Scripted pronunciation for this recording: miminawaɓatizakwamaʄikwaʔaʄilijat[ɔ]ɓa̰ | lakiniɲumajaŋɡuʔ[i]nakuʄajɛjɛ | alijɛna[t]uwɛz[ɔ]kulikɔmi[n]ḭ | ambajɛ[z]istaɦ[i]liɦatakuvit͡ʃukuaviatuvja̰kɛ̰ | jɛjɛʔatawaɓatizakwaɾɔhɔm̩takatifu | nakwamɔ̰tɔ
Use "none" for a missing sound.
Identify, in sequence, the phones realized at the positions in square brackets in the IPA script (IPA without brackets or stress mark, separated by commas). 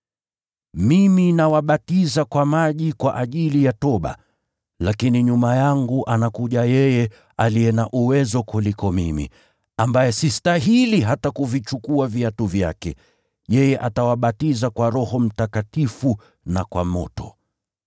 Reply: ɔ, a, ʔ, ɔ, m, s, i